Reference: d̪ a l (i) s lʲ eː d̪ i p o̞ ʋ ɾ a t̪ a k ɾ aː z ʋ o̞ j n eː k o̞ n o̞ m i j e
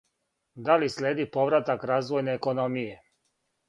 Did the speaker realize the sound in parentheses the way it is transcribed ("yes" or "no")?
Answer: yes